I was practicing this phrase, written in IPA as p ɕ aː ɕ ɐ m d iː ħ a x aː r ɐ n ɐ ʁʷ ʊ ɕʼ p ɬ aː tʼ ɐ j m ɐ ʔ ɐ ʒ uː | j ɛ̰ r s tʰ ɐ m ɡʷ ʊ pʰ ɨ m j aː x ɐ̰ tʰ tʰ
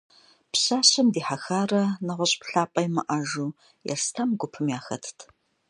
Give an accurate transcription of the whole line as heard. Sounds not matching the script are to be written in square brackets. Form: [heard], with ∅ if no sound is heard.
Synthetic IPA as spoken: p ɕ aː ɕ ɐ m d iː ħ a x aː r ɐ n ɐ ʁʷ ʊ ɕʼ p ɬ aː [pʼ] ɐ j m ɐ ʔ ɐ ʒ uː | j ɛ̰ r s tʰ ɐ m ɡʷ ʊ pʰ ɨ m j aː x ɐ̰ tʰ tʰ